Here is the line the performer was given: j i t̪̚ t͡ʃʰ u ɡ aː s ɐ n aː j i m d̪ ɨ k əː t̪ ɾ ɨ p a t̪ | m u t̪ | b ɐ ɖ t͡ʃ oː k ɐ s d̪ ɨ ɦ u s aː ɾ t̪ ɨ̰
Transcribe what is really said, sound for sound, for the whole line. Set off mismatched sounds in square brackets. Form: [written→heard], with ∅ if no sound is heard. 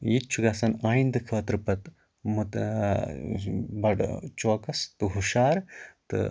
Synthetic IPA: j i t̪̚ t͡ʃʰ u ɡ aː s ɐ n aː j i [m→n] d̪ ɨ [k→kʰ] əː t̪ ɾ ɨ p [a→ɐ] t̪ | m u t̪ | b ɐ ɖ t͡ʃ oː k ɐ s [d̪→t̪] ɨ ɦ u [s→ʃ] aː ɾ t̪ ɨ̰